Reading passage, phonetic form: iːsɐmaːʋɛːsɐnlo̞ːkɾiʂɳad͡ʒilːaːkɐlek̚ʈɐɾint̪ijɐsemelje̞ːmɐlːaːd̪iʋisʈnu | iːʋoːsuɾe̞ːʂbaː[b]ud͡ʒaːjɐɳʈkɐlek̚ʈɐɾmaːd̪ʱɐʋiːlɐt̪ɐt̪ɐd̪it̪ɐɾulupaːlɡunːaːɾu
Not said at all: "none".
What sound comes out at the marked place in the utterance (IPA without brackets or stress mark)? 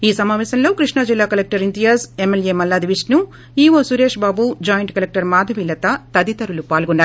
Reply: b